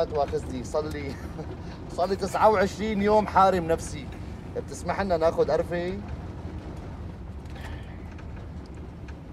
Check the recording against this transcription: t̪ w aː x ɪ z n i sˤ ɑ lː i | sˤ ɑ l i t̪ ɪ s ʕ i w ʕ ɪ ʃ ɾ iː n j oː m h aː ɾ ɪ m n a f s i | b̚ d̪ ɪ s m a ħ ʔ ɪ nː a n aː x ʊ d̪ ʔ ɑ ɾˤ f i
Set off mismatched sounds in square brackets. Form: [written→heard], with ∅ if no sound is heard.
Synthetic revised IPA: t̪ w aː x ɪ z n i sˤ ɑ lː i | sˤ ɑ [l→lː] i t̪ ɪ s ʕ [i→a] w ʕ ɪ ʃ ɾ iː n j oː m [h→ħ] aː ɾ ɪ m n a f s i | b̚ [d̪→t̪] ɪ s m a ħ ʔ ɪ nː a n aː x ʊ d̪ ʔ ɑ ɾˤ f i